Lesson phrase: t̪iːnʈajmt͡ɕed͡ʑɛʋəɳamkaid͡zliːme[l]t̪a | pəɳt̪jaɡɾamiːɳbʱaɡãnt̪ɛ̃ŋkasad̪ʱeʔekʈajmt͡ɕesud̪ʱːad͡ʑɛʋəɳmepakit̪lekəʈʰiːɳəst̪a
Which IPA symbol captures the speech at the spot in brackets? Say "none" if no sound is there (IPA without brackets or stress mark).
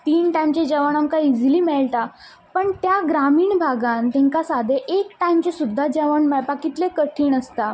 ɭ